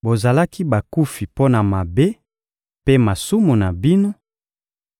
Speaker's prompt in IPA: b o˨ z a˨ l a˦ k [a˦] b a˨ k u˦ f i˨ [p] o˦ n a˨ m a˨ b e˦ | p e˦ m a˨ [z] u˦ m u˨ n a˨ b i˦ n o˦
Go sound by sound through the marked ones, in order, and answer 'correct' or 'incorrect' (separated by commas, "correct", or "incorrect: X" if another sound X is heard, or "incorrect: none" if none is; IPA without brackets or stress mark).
incorrect: i˦, correct, incorrect: s